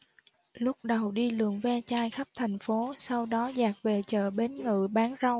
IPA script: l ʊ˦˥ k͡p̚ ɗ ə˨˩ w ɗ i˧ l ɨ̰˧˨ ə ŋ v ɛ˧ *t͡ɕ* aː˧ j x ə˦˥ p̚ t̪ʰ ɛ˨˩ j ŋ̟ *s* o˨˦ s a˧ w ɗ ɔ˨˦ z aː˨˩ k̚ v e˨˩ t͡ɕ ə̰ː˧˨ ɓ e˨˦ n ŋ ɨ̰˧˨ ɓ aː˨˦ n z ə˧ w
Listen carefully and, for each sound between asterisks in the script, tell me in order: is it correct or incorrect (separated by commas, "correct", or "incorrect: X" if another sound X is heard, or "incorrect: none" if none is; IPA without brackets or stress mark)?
correct, incorrect: f